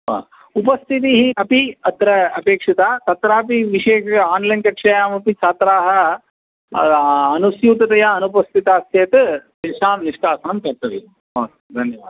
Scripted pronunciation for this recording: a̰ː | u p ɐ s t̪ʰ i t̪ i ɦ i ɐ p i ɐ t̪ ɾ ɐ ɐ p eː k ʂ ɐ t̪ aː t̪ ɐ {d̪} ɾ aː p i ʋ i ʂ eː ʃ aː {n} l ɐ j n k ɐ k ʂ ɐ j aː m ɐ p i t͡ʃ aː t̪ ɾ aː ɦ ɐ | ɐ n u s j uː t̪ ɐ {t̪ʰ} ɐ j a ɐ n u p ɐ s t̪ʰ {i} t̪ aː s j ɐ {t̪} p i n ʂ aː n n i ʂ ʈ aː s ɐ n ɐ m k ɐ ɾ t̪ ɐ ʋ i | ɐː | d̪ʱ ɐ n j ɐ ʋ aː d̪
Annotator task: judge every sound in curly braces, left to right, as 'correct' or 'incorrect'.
incorrect: t̪, correct, incorrect: t̪, correct, correct

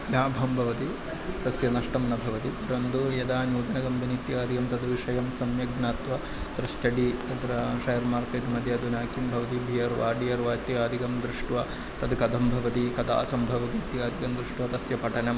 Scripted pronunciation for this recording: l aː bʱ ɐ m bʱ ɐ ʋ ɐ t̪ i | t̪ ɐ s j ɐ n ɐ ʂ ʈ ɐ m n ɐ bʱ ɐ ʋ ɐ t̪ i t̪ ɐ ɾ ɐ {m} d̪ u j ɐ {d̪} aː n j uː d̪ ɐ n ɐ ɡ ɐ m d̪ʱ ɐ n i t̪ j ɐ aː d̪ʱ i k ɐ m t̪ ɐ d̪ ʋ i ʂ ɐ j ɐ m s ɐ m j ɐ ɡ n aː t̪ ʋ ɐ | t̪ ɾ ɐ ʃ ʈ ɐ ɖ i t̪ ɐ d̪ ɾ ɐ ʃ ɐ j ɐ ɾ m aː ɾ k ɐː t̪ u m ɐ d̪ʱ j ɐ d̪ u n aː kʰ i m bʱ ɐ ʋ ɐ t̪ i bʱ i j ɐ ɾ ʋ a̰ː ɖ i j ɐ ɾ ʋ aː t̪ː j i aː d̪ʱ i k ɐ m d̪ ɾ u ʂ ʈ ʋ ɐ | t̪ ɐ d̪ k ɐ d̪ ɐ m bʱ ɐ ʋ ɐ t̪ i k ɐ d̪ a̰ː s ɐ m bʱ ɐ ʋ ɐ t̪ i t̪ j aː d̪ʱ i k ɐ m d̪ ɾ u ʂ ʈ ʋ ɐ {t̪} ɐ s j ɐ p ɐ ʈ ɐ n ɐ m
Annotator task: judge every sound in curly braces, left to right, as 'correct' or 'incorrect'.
incorrect: n, correct, correct

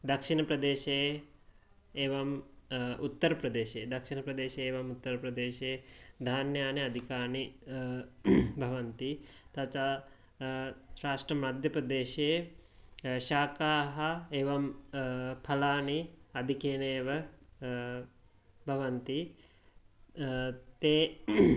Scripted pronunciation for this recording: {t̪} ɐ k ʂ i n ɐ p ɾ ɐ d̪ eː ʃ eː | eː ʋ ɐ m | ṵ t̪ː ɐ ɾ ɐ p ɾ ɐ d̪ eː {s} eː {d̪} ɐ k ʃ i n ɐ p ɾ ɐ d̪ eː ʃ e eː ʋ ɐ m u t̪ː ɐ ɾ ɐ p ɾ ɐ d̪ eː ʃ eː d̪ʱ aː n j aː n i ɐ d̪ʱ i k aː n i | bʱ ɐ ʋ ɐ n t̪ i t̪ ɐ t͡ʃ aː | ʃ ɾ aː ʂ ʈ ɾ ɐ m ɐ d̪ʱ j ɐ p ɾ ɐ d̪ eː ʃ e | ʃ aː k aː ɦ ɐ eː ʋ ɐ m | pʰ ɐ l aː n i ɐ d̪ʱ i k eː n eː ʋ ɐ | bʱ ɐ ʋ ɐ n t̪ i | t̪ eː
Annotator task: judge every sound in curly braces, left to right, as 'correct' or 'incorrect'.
incorrect: d̪, incorrect: ʃ, correct

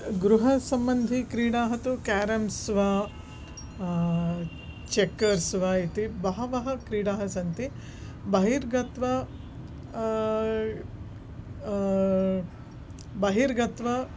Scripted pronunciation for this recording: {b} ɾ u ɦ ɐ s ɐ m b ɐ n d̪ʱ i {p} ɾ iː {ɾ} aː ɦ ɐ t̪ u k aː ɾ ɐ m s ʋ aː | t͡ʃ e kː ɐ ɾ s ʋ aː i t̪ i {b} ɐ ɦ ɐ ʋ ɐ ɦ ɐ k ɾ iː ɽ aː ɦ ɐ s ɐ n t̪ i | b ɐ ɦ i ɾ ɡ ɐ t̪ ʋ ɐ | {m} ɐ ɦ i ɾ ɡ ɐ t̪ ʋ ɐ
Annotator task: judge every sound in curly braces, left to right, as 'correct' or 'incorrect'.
incorrect: ɡ, incorrect: k, incorrect: ɽ, correct, incorrect: b

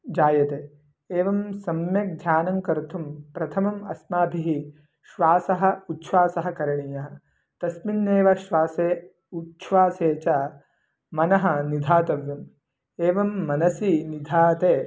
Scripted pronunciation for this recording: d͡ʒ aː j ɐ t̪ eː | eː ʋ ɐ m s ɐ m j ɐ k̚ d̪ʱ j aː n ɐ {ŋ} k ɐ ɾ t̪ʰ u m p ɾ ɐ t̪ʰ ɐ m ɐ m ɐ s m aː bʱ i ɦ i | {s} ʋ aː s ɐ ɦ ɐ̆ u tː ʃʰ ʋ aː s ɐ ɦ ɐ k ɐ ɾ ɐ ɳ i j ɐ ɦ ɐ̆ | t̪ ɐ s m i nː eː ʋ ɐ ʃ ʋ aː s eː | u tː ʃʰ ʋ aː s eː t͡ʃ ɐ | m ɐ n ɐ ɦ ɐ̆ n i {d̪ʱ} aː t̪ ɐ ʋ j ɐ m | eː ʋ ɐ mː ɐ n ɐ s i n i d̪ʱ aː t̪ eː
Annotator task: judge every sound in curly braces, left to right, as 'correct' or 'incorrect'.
correct, incorrect: ʃ, correct

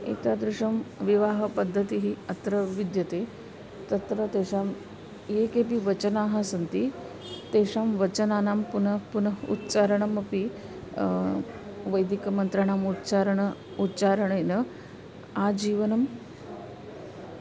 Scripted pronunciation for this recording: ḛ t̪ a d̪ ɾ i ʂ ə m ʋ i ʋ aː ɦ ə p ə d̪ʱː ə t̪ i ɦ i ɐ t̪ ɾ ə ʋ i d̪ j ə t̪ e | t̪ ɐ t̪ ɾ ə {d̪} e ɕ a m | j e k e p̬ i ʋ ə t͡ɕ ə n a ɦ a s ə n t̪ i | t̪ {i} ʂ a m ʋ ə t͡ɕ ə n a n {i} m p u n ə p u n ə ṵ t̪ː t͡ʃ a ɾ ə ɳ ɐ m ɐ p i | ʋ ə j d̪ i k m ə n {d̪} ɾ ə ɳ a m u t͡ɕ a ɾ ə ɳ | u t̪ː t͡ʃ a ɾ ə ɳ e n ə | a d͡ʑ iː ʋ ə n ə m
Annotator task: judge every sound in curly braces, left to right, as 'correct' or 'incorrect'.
incorrect: t̪, incorrect: e, incorrect: a, incorrect: t̪

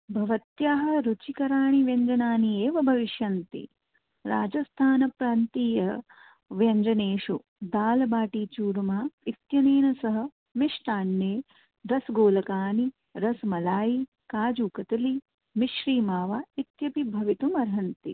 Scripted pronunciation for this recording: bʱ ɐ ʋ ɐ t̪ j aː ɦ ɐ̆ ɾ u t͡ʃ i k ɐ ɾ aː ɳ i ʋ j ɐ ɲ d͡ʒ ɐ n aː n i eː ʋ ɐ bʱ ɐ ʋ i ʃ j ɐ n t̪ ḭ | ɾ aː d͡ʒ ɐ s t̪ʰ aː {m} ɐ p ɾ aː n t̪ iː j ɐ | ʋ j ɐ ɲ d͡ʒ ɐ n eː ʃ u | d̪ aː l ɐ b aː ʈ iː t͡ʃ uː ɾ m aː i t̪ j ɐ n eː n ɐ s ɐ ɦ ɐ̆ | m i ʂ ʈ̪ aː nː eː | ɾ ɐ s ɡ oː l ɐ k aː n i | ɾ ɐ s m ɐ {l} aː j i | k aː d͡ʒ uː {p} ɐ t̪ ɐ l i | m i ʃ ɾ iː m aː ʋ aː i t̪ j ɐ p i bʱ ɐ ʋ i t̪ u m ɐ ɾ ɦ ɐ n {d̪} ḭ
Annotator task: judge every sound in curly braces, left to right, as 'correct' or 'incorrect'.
incorrect: n, correct, incorrect: k, incorrect: t̪

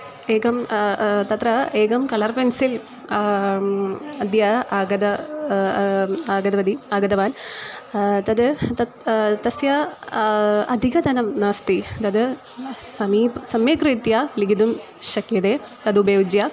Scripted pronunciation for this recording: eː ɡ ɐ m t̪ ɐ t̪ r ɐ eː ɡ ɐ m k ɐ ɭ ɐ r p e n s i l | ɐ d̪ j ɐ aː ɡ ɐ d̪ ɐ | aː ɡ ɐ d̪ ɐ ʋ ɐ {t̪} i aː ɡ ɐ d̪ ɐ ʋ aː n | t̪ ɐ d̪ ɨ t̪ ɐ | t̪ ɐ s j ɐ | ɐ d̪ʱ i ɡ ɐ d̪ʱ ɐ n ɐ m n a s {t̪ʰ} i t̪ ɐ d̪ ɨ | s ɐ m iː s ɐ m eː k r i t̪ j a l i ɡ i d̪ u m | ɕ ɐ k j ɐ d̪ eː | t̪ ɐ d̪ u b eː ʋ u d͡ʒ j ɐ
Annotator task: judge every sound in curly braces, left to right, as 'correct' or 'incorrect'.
incorrect: d̪, incorrect: t̪

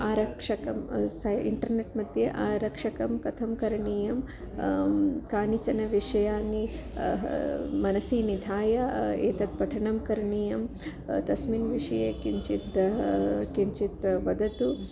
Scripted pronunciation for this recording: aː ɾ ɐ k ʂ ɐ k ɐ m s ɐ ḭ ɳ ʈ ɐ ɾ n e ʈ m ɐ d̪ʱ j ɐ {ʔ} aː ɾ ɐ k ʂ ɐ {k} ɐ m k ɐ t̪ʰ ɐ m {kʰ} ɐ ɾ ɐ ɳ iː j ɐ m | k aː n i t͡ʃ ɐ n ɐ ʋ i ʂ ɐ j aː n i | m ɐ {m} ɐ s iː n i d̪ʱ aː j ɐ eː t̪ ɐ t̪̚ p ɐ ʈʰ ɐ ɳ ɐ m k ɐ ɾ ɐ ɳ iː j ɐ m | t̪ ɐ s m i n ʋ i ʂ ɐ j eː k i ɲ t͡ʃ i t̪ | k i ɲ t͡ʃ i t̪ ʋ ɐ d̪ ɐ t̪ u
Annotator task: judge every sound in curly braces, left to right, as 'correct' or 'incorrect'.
correct, correct, incorrect: k, incorrect: n

